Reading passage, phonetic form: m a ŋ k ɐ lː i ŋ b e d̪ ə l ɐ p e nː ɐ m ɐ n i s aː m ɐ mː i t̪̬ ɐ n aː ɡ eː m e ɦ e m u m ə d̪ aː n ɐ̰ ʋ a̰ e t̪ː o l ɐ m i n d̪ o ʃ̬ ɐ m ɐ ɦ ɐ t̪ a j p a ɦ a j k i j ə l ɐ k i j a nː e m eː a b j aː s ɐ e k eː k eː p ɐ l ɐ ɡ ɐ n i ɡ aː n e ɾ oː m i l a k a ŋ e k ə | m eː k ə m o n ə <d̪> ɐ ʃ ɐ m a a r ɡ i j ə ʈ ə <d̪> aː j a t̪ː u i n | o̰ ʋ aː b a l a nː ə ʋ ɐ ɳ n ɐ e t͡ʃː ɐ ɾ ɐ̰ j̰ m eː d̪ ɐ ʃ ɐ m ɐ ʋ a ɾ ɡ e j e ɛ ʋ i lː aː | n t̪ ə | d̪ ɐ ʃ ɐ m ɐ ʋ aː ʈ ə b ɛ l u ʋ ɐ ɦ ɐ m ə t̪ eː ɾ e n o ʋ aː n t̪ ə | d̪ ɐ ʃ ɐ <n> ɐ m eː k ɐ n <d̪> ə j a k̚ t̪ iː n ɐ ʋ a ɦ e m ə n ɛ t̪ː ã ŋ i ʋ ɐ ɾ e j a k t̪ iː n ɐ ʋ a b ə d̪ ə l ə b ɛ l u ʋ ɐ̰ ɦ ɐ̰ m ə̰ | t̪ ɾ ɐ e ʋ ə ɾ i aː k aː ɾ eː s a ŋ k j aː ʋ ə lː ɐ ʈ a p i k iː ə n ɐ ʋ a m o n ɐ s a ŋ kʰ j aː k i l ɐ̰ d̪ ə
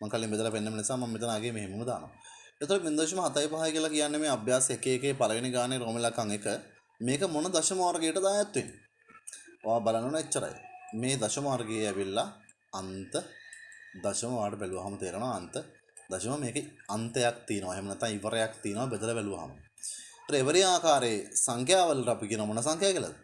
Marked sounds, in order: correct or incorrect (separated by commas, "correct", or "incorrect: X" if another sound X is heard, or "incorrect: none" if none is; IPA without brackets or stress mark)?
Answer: correct, correct, incorrect: m, incorrect: t̪